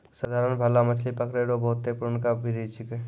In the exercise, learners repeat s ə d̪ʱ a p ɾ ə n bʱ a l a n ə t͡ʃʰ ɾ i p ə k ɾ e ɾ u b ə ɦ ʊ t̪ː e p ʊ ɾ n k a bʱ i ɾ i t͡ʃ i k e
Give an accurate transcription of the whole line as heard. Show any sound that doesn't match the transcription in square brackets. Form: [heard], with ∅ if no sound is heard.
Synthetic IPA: s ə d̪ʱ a [∅] ɾ ə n bʱ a l a [m] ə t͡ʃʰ [l] i p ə k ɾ e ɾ [o] b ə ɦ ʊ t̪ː e p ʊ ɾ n k a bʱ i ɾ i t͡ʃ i k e